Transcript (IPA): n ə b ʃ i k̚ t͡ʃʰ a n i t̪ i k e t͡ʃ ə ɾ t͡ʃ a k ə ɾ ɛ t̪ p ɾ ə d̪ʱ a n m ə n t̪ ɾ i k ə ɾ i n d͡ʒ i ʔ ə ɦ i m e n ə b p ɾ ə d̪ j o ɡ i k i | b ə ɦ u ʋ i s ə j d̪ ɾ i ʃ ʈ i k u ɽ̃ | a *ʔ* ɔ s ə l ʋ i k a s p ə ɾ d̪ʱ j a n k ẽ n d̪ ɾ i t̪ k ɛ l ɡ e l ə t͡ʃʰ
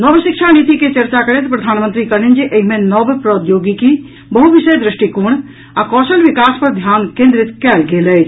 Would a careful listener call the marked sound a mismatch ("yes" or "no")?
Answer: yes